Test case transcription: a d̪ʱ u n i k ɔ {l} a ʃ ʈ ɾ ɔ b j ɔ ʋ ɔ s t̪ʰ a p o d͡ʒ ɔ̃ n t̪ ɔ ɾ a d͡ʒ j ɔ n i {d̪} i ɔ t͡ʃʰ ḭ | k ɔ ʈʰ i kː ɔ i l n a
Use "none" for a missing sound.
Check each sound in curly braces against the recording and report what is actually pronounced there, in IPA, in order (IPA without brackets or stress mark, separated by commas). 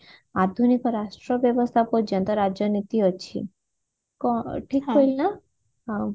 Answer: ɾ, t̪